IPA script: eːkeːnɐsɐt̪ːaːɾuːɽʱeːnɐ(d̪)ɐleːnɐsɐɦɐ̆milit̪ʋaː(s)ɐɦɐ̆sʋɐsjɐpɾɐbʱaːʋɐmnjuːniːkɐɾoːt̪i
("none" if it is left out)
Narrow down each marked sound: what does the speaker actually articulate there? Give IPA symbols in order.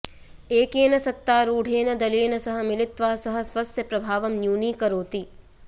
d̪, s

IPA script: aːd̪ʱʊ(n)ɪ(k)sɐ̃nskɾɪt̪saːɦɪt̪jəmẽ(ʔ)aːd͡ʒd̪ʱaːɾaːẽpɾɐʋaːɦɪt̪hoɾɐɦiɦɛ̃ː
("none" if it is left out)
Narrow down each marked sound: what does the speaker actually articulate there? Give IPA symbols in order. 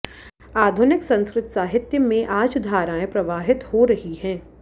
n, k, ʔ

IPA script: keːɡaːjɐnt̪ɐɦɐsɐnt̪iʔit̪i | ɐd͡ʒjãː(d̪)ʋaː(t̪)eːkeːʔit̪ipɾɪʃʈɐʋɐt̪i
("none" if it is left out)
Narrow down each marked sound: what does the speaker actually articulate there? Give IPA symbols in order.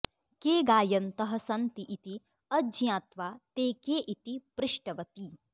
t̪, t̪

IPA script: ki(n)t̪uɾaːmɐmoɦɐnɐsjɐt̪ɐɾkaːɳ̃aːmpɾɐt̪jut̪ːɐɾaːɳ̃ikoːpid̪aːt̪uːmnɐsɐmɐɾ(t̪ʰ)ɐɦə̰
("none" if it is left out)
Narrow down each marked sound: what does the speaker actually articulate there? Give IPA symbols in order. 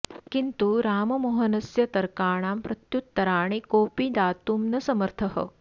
n, t̪ʰ

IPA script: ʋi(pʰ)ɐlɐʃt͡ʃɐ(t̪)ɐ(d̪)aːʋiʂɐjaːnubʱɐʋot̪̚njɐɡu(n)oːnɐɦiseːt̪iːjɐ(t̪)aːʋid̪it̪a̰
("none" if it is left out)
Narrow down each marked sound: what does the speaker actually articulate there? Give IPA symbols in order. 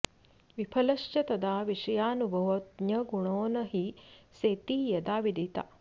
pʰ, t̪, d̪, ɳ, d̪

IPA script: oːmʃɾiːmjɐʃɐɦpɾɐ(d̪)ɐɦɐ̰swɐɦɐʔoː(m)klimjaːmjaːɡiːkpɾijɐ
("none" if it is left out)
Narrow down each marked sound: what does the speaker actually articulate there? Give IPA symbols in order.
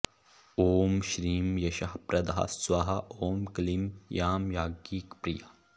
d̪, m

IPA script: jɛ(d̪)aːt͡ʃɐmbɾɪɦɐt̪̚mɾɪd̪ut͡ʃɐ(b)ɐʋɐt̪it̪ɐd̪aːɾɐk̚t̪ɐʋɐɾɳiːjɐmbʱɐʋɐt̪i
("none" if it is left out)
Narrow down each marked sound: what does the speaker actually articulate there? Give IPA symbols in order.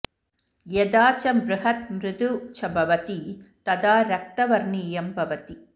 d̪, b

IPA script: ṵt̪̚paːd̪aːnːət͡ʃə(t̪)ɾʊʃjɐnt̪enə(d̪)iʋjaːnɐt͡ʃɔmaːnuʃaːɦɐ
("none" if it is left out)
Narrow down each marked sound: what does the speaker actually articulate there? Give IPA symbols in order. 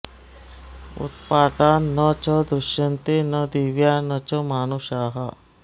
d̪, d̪

